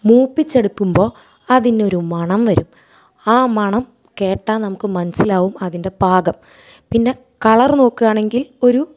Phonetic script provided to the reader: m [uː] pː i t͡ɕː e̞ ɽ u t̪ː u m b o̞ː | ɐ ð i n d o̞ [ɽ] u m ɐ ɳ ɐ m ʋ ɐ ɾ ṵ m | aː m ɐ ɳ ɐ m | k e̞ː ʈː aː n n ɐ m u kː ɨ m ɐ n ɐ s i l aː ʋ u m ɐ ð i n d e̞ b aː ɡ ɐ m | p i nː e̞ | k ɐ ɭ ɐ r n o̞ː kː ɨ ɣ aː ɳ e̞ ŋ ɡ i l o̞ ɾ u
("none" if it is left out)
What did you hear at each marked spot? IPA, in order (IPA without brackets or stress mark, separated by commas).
uː, ɾ